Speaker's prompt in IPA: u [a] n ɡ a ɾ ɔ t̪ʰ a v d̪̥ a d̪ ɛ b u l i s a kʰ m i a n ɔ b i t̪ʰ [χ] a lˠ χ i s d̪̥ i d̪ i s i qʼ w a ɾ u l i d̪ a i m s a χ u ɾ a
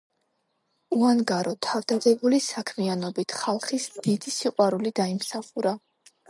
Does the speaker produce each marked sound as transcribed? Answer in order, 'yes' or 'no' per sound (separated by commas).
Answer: yes, yes